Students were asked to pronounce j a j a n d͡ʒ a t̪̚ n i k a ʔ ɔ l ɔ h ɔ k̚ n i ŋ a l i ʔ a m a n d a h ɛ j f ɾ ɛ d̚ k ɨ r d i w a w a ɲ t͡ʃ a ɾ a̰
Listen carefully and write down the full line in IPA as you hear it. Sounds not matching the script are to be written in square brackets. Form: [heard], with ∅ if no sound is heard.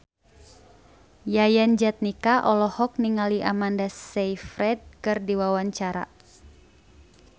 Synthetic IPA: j a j a n d͡ʒ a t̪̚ n i k a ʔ ɔ l ɔ h ɔ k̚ n i ŋ a l i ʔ a m a n d a [s] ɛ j f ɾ ɛ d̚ k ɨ r d i w a w a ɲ t͡ʃ a ɾ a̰